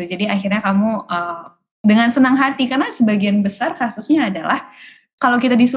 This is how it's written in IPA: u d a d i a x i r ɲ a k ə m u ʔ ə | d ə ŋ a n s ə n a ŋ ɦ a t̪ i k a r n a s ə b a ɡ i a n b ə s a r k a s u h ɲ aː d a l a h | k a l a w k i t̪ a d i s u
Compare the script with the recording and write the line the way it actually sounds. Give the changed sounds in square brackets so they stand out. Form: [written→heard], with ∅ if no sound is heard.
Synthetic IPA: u [d→d͡ʒ] a d i a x i r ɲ a k [ə→a] m u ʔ ə | d ə ŋ a n s ə n a ŋ ɦ a t̪ i k a r n a s ə b a ɡ i a n b ə s a r k a s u [h→s] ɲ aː d a l a h | k a l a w k i t̪ a d i s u